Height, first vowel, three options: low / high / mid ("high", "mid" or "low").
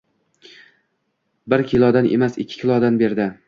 high